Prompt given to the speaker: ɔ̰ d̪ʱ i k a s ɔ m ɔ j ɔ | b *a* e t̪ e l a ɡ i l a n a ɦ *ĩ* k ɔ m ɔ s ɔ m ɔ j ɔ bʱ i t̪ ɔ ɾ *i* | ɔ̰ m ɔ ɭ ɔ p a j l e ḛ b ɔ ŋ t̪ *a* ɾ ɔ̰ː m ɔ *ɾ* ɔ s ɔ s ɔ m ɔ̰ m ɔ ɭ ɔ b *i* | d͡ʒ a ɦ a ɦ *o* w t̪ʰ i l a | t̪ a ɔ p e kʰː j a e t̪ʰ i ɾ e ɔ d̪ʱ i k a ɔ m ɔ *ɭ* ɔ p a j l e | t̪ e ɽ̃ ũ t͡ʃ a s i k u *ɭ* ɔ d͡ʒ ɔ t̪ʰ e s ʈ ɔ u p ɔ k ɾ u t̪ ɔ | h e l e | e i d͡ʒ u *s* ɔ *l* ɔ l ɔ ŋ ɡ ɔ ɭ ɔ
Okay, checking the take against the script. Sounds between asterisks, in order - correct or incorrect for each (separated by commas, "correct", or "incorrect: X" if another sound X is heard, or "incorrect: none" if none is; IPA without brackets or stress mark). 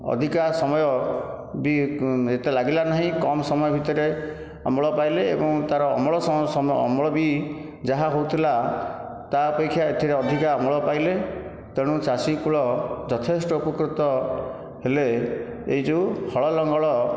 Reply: incorrect: i, correct, incorrect: e, correct, incorrect: ɭ, correct, correct, correct, correct, incorrect: h, incorrect: ɭ